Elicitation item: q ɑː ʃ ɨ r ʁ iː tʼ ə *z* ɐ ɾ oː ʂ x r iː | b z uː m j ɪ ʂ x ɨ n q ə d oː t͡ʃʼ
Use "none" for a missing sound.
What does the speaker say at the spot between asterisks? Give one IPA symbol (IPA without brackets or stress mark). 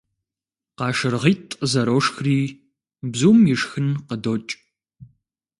z